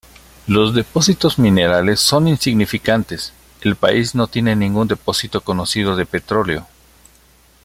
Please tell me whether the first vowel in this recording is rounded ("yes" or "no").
yes